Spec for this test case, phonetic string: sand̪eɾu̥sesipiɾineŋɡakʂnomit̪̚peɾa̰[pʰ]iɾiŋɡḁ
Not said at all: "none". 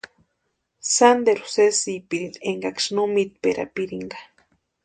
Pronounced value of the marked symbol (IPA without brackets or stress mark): p